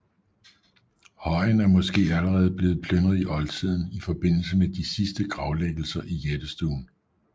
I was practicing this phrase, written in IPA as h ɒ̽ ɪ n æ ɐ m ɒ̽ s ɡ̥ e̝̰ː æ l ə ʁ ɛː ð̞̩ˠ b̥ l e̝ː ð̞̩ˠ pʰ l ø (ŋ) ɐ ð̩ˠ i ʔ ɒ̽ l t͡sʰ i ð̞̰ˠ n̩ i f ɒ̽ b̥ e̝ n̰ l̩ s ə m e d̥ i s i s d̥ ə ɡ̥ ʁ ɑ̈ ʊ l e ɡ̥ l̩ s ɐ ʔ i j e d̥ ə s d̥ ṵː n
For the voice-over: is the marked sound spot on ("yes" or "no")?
no